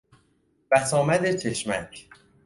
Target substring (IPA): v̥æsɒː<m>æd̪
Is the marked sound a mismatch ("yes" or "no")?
no